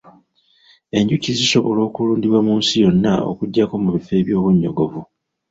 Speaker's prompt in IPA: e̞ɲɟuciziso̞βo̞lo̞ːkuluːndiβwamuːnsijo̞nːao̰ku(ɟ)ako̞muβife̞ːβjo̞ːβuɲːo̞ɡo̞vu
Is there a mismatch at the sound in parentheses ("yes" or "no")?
yes